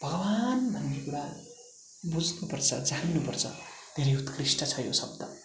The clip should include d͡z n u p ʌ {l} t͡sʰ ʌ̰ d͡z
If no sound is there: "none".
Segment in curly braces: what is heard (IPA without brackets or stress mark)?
r